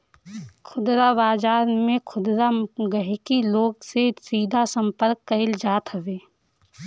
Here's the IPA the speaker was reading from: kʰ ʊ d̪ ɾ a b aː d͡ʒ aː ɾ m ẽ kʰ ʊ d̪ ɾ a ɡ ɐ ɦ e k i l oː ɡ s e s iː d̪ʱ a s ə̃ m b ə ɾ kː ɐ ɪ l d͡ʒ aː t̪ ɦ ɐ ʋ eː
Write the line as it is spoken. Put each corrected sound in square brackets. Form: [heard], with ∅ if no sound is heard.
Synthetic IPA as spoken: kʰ ʊ d̪ ɾ a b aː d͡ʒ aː ɾ m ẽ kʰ ʊ d̪ ɾ a ɡ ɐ ɦ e k i l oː ɡ s e s iː d̪ʱ a s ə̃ m [p] ə ɾ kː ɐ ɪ l d͡ʒ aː t̪ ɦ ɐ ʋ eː